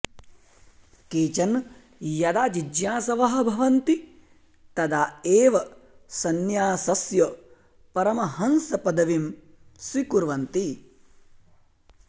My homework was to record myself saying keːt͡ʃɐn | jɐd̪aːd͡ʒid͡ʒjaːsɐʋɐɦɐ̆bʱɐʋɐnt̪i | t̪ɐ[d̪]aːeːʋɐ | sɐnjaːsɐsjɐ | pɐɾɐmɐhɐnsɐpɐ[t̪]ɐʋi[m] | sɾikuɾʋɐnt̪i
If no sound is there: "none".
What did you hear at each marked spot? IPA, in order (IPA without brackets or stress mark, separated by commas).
d̪, d̪, m